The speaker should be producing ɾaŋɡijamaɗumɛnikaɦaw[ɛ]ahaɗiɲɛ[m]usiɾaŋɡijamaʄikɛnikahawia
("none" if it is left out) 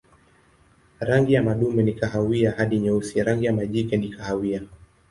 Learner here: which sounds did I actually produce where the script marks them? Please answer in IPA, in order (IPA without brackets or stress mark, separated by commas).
i, none